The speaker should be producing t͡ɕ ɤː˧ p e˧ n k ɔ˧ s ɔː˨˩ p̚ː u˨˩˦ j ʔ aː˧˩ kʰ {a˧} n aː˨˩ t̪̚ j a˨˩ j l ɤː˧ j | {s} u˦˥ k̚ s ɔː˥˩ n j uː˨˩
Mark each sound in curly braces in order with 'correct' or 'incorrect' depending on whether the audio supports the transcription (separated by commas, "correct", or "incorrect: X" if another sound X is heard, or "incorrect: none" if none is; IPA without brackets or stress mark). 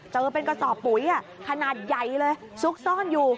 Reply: correct, correct